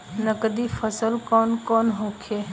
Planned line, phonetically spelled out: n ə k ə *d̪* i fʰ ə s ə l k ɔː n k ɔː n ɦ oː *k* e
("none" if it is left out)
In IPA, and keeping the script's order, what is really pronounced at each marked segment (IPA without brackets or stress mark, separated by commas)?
d̪, kʰ